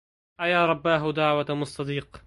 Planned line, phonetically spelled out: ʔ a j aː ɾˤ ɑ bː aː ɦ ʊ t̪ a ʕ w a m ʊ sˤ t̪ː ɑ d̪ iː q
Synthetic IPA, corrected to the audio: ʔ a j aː ɾˤ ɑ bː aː ɦ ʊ d̪ a ʕ w a m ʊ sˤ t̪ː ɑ d̪ iː q